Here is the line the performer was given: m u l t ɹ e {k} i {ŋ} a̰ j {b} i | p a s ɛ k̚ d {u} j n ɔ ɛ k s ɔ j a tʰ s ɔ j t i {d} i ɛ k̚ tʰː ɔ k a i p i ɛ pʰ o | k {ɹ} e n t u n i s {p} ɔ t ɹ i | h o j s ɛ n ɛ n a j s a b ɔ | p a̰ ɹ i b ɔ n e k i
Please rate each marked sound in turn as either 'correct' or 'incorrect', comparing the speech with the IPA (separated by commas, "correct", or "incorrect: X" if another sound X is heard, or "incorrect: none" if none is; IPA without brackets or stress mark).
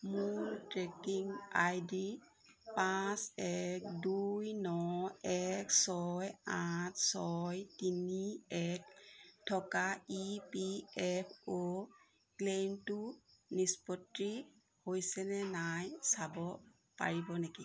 correct, correct, incorrect: d, correct, incorrect: n, incorrect: l, correct